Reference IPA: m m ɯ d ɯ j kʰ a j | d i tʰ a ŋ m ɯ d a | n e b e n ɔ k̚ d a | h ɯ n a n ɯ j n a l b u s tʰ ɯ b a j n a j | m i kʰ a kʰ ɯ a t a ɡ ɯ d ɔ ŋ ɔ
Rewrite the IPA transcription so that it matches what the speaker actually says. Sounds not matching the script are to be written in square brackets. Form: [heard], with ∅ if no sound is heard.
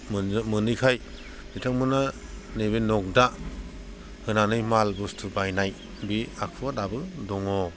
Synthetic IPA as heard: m m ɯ [n] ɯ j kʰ a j | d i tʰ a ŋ m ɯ [n] a | n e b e n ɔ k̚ d a | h ɯ n a n ɯ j [m] a l b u s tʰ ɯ b a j n a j | [b] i [∅] a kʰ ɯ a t a [b] ɯ d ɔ ŋ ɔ